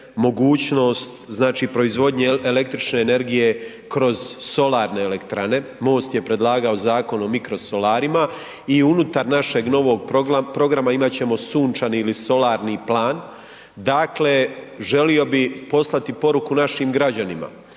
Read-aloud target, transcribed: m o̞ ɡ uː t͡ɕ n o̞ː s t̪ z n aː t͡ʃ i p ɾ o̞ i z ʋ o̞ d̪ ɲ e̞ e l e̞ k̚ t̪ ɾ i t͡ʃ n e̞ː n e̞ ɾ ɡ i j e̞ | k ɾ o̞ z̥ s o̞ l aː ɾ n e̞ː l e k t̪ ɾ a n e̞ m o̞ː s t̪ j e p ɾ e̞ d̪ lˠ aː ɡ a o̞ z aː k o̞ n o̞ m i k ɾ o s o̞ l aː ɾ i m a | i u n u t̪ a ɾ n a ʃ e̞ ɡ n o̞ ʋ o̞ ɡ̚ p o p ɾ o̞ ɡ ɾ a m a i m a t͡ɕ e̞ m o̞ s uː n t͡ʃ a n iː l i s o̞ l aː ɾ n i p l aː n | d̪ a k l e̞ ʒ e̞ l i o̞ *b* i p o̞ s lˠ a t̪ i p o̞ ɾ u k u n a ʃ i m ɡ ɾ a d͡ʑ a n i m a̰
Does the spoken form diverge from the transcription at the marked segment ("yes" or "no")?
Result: no